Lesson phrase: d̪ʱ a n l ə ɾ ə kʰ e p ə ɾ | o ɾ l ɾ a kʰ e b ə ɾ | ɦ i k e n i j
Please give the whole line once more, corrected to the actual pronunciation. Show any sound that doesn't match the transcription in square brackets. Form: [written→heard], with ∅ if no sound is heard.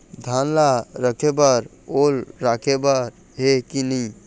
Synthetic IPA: d̪ʱ a n l [ə→a] ɾ ə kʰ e [p→b] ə ɾ | o [ɾ→∅] l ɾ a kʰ e b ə ɾ | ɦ [i→e] k [e→i] n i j